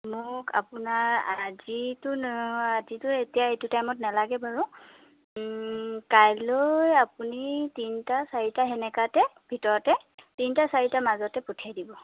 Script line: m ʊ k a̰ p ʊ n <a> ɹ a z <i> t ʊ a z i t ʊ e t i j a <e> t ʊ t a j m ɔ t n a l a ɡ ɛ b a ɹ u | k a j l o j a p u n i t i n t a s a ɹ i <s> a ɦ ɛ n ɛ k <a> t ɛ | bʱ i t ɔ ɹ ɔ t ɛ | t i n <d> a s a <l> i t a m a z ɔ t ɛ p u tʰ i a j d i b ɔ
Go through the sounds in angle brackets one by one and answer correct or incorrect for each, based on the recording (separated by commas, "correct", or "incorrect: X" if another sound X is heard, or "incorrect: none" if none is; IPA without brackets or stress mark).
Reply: correct, correct, correct, incorrect: t, correct, incorrect: t, incorrect: ɹ